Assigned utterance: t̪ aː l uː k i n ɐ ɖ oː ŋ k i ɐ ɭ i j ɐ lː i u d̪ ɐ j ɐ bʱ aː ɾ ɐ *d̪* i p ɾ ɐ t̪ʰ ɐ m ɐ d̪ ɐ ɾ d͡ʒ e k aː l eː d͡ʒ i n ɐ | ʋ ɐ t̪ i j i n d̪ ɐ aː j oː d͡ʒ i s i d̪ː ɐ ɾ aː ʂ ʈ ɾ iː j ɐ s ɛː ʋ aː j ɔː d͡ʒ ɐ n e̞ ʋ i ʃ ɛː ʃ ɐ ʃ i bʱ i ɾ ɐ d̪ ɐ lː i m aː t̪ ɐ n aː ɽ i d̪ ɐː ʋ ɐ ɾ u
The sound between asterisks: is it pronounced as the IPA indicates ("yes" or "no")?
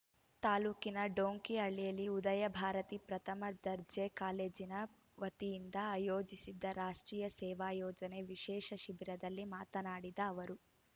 no